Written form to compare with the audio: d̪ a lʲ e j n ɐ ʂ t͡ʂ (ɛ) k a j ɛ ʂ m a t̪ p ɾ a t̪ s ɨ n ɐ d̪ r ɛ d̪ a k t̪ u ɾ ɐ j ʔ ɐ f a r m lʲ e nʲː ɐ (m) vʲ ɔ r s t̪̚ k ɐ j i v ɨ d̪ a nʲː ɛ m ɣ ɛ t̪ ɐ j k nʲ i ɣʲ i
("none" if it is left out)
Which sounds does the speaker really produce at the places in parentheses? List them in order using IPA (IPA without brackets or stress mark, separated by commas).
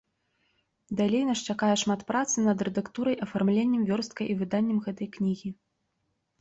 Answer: a, m